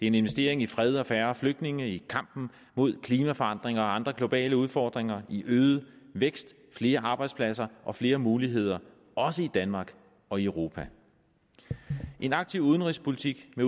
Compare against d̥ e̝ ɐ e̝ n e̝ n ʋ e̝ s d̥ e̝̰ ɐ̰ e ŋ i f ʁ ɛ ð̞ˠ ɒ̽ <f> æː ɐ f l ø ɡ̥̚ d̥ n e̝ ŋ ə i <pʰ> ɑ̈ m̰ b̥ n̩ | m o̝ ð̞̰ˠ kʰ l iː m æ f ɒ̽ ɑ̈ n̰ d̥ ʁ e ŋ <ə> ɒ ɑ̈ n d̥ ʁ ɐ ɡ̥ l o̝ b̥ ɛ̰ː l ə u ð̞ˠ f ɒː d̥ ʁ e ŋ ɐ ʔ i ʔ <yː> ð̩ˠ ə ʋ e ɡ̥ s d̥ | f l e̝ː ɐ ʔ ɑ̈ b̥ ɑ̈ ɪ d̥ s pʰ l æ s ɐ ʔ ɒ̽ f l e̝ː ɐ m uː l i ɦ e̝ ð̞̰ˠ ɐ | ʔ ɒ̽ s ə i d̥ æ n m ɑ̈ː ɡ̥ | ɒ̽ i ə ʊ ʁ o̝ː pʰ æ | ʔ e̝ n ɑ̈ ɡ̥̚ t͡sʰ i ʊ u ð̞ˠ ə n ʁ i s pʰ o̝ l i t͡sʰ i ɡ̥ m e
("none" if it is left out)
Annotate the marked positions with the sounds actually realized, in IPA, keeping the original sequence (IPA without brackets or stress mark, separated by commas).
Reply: f, kʰ, ɐ, øː